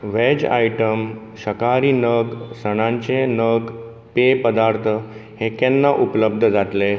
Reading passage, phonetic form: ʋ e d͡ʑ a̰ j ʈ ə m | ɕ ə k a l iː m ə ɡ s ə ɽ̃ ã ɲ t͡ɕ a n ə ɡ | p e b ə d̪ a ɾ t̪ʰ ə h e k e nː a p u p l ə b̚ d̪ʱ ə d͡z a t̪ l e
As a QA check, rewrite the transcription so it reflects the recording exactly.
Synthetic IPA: ʋ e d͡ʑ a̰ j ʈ ə m | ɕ ə k a ɾ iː n ə ɡ s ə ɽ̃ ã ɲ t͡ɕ e n ə ɡ | p e p ə d̪ a ɾ t̪ʰ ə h e k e nː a ʔ u p l ə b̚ d̪ʱ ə d͡z a t̪ l e